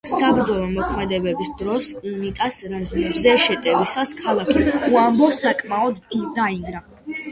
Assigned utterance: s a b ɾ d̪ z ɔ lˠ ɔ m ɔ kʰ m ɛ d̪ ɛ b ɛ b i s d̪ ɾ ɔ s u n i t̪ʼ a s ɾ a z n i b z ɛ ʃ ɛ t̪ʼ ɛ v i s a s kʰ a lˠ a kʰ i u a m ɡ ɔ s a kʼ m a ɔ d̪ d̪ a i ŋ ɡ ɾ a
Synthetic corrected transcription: s a b ɾ d̪ z ɔ lˠ ɔ m ɔ kʰ m ɛ d̪ ɛ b ɛ b i s d̪ ɾ ɔ s u n i t̪ʼ a s ɾ a z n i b z ɛ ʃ ɛ t̪ʼ ɛ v i s a s kʰ a lˠ a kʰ i u a m b ɔ s a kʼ m a ɔ d̪ d̪ a i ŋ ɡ ɾ a